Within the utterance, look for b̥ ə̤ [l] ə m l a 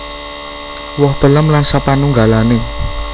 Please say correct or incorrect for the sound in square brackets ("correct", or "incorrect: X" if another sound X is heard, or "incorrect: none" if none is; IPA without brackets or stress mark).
correct